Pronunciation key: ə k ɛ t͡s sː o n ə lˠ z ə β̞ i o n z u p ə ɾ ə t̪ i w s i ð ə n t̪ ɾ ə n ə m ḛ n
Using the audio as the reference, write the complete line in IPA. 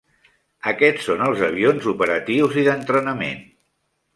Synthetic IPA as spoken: ə k ɛ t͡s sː o n ə lˠ z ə β̞ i o n z u p ə ɾ ə t̪ i w z i ð ə n t̪ ɾ ə n ə m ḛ n